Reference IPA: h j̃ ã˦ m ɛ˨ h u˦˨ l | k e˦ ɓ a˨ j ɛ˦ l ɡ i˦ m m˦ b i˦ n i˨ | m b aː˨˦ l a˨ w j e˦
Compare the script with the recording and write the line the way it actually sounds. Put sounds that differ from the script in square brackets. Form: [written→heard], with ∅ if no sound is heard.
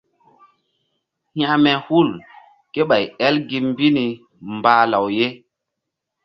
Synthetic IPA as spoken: h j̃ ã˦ m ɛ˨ h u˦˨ l | k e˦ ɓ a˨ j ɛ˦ l ɡ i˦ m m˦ b i˦ n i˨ | m b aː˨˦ l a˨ w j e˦